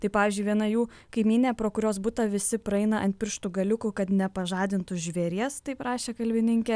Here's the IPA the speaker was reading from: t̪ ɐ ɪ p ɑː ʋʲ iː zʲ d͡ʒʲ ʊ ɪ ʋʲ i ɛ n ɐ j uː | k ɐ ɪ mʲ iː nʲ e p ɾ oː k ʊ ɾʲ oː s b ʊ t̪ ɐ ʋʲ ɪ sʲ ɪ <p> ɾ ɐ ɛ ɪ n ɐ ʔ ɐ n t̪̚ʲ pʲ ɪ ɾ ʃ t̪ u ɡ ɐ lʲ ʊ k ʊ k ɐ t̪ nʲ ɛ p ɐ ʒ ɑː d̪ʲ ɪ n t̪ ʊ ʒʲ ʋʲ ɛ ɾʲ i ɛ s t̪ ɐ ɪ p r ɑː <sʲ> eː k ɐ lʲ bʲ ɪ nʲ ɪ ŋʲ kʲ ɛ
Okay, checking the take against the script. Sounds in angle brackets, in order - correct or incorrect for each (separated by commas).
correct, incorrect